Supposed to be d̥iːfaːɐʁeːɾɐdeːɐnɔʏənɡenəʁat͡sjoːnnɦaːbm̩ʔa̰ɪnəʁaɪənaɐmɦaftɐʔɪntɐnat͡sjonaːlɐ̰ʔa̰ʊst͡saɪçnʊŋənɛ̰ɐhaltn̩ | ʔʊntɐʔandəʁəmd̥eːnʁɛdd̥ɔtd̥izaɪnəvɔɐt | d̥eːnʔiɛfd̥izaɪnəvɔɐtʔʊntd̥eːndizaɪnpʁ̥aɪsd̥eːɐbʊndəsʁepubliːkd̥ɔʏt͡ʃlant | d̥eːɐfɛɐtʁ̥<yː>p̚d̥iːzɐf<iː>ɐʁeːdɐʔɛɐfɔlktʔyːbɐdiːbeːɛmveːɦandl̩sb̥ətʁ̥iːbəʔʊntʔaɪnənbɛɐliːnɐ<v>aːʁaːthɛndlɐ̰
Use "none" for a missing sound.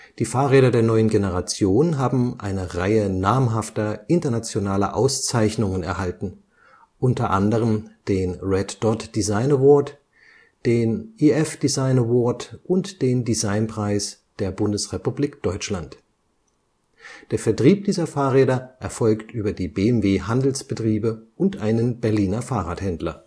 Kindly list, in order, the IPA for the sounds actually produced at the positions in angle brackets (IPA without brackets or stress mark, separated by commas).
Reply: iː, aː, f